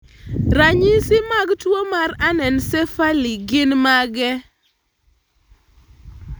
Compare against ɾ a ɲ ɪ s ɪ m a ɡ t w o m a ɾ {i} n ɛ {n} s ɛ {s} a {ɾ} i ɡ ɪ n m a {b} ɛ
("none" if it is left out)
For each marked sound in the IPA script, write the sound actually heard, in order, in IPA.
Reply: a, n, f, l, ɡ

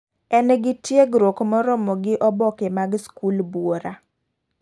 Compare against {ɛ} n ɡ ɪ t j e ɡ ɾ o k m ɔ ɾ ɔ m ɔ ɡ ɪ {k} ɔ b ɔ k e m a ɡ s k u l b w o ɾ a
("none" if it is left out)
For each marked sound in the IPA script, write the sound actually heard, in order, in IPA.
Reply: ɛ, ʔ

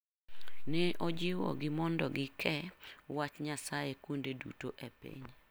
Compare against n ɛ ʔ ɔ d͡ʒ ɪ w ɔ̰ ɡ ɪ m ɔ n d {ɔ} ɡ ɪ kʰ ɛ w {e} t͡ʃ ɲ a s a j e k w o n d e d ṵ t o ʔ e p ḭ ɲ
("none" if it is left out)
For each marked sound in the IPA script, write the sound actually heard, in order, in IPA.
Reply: ɔ, a

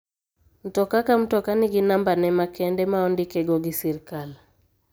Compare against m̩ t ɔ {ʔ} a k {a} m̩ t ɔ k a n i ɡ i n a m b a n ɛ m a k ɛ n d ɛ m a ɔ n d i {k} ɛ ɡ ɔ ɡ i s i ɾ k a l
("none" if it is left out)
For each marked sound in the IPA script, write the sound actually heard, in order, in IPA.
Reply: k, a, k

